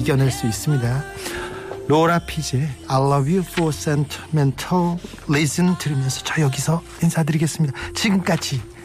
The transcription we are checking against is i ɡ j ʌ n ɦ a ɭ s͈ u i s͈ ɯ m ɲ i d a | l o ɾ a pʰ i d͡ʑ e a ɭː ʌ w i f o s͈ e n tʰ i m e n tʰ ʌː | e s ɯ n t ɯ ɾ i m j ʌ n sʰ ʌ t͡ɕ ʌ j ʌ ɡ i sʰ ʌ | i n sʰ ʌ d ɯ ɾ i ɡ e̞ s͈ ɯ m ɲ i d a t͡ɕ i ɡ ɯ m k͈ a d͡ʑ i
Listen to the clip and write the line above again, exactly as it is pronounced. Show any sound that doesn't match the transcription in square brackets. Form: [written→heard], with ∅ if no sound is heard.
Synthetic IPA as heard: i ɡ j ʌ n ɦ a ɭ s͈ u i s͈ ɯ m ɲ i d a | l o ɾ a pʰ i d͡ʑ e a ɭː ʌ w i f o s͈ e n tʰ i m e n tʰ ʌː | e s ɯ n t ɯ ɾ i m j ʌ n sʰ ʌ t͡ɕ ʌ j ʌ ɡ i sʰ ʌ | i n sʰ [ʌ→a] d ɯ ɾ i ɡ e̞ s͈ ɯ m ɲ i d a t͡ɕ i ɡ ɯ m k͈ a d͡ʑ i